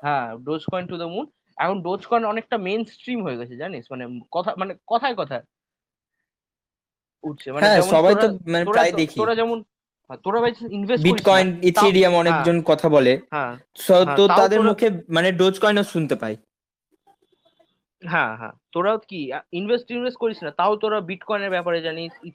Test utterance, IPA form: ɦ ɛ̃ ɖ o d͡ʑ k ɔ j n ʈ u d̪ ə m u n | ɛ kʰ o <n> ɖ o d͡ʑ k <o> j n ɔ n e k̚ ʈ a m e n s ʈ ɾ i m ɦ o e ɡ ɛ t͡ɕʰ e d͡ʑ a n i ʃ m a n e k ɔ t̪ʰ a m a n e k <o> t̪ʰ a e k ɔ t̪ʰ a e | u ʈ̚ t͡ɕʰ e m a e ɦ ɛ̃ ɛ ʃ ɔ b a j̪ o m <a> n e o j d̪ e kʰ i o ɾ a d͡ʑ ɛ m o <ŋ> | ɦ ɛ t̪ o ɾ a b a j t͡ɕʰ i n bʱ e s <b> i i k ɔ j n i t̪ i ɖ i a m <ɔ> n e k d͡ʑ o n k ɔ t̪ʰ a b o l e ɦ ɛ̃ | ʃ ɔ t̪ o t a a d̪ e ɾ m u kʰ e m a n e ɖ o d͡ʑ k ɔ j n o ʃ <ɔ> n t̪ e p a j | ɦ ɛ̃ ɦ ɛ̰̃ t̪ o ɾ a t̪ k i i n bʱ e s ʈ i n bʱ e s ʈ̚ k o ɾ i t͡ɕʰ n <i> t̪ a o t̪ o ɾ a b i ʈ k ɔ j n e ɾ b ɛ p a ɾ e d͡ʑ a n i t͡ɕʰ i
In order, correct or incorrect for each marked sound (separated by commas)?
correct, incorrect, incorrect, correct, incorrect, correct, correct, incorrect, incorrect